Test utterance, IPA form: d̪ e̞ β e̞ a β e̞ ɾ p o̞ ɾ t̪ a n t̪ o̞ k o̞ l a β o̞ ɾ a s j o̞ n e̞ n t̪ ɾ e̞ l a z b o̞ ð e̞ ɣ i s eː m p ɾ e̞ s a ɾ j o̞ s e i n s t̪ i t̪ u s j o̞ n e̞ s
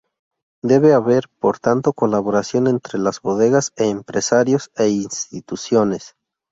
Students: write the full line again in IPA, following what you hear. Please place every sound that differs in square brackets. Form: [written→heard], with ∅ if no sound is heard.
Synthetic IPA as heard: d̪ e̞ β e̞ a β e̞ ɾ p o̞ ɾ t̪ a n t̪ o̞ k o̞ l a β o̞ ɾ a s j o̞ n e̞ n t̪ ɾ e̞ l a z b o̞ ð e̞ ɣ [i→a] s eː m p ɾ e̞ s a ɾ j o̞ s e i n s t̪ i t̪ u s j o̞ n e̞ s